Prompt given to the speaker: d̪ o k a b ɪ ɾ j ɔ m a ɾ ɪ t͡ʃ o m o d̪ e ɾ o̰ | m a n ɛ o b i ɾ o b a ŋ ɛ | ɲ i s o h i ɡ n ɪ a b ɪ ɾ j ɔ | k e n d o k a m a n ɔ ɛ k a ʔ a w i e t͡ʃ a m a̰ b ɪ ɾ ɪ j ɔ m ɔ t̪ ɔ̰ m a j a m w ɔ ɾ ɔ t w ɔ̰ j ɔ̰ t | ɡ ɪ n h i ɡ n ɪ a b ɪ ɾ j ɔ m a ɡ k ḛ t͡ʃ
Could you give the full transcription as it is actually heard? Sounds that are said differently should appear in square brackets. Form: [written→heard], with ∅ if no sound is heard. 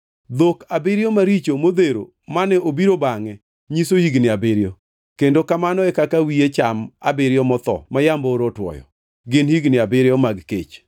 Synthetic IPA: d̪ o k a b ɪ ɾ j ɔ m a ɾ [ɪ→i] t͡ʃ o m o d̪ e ɾ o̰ | m a n ɛ o b i ɾ o b a ŋ ɛ | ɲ i s o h i ɡ n ɪ a b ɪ ɾ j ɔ | k e n d o k a m a n ɔ ɛ k a [ʔ→k] a w i e t͡ʃ a m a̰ b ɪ ɾ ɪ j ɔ m ɔ t̪ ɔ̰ m a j a m [w→b] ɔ ɾ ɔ t w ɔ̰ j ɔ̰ [t→∅] | ɡ ɪ n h i ɡ n ɪ a b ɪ ɾ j ɔ m a ɡ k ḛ t͡ʃ